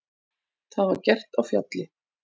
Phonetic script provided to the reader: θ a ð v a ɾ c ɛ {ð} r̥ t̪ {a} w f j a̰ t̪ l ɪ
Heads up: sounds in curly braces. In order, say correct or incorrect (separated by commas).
incorrect, correct